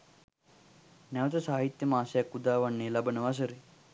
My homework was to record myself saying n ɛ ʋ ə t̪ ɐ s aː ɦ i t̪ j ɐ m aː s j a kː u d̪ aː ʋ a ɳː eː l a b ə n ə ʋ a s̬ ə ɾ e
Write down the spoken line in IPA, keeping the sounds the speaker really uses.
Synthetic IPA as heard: n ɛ ʋ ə t̪ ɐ s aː ɦ i t̪ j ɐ m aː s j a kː u d̪ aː ʋ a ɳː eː l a b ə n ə ʋ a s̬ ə ɾ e